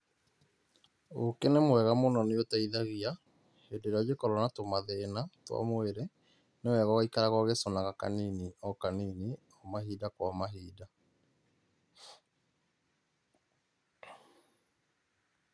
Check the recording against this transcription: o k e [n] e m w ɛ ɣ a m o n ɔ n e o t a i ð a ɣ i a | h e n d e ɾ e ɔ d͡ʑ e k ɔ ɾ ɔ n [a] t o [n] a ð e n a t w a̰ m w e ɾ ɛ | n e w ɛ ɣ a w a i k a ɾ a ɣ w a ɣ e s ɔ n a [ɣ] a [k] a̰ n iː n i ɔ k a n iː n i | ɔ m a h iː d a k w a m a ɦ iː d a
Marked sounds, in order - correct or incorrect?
correct, correct, incorrect, correct, correct

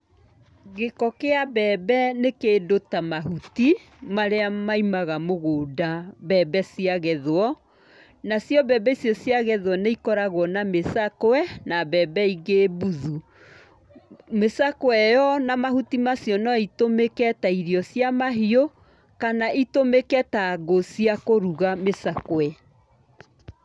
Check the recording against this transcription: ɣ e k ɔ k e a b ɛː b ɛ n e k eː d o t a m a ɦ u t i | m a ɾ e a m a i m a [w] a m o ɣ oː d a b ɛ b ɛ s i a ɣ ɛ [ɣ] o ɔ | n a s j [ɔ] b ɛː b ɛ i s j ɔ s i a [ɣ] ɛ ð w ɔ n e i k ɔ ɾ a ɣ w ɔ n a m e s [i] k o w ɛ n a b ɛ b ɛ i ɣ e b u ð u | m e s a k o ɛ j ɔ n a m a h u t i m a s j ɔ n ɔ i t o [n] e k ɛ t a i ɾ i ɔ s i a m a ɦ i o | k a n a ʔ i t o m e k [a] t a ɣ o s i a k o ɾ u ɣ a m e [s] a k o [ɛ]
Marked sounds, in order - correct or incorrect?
incorrect, incorrect, correct, correct, incorrect, incorrect, incorrect, correct, correct

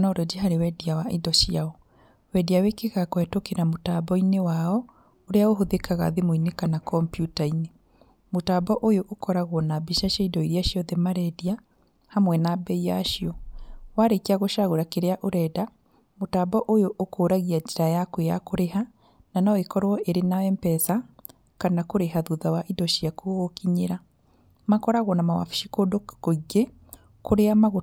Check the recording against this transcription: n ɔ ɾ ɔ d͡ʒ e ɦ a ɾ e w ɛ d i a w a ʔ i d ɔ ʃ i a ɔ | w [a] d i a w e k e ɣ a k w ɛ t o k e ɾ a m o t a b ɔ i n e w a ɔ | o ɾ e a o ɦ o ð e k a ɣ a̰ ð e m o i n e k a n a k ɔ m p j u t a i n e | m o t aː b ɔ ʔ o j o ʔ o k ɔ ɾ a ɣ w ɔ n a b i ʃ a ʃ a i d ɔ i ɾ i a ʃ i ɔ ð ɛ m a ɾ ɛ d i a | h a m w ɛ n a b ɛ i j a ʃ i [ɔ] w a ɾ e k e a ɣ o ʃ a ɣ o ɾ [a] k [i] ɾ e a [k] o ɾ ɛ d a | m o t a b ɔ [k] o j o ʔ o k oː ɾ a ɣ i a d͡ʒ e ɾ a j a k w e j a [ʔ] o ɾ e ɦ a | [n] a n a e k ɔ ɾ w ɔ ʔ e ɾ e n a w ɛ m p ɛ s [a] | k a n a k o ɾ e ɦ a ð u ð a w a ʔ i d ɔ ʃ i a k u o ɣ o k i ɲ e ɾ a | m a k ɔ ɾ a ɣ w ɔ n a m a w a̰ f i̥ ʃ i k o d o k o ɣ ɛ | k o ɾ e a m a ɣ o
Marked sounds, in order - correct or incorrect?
incorrect, correct, correct, incorrect, incorrect, incorrect, incorrect, correct, correct

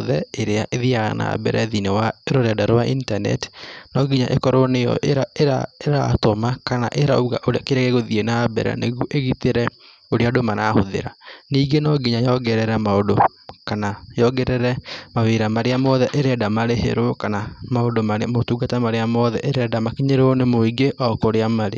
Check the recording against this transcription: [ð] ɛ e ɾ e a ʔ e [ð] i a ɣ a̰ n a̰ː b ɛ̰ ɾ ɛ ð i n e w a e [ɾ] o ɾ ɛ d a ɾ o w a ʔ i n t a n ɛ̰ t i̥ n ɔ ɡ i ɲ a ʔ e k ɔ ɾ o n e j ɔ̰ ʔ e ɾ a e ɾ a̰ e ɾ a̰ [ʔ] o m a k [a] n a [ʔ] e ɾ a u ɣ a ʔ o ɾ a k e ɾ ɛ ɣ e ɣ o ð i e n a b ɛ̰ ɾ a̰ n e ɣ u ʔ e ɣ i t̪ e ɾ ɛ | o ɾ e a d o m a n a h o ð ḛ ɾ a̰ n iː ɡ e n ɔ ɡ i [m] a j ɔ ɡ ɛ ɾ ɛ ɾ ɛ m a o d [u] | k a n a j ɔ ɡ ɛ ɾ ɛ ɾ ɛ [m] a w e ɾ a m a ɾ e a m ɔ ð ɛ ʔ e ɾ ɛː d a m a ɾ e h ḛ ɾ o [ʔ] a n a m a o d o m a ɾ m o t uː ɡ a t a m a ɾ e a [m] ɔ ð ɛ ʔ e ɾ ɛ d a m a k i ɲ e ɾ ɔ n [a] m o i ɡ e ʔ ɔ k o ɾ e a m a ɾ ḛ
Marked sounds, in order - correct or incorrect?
correct, correct, correct, incorrect, correct, correct, incorrect, incorrect, correct, incorrect, correct, incorrect

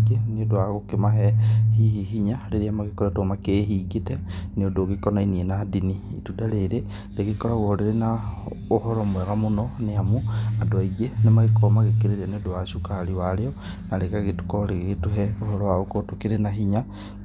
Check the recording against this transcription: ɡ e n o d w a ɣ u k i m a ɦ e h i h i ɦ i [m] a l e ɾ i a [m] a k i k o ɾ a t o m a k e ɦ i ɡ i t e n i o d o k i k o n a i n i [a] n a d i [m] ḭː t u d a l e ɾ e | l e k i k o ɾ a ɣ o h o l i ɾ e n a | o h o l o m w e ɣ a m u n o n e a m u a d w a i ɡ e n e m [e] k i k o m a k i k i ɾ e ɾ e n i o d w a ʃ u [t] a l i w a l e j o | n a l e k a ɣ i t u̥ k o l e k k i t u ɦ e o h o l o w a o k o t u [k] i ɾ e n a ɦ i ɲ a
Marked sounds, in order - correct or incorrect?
incorrect, correct, incorrect, incorrect, incorrect, incorrect, correct

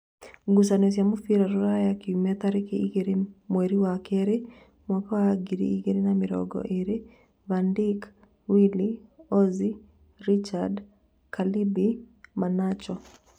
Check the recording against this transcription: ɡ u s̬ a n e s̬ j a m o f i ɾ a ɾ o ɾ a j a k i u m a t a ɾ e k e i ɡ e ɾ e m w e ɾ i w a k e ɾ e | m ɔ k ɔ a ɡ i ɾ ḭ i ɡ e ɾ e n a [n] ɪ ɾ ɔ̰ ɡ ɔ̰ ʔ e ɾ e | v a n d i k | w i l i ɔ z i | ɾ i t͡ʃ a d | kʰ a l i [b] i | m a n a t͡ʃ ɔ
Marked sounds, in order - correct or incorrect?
incorrect, correct

